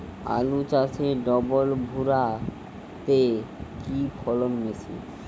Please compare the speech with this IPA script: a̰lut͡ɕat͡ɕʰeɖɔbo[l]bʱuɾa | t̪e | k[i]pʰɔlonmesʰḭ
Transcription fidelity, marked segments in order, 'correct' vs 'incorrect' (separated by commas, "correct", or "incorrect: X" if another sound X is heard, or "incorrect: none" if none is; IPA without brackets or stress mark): correct, correct